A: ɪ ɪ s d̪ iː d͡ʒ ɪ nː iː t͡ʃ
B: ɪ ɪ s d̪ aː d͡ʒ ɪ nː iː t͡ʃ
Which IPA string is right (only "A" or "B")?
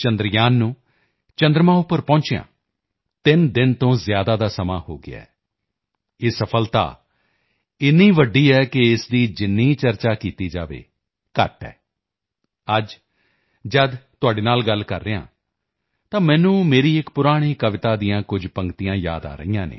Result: A